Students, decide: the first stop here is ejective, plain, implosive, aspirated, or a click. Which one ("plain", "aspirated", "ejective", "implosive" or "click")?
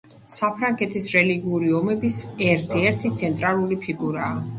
aspirated